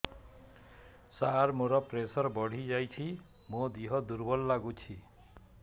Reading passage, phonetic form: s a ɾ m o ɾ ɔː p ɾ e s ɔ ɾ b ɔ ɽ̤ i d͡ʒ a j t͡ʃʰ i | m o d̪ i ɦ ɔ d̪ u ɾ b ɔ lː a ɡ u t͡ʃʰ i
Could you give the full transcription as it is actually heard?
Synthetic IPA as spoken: s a ɾ m o ɾ ɔ p ɾ e s ɔ ɾ b ɔ ɽ̤ i d͡ʒ a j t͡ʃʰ i | m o d̪ i ɦ ɔ d̪ u ɾ b ɔ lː a ɡ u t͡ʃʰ i